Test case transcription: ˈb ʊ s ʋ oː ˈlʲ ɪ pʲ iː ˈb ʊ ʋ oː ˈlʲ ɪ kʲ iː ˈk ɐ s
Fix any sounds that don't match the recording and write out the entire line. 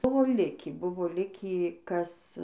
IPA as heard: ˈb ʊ ʋ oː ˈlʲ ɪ kʲ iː ˈb ʊ ʋ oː ˈlʲ ɪ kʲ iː ˈk ɐ s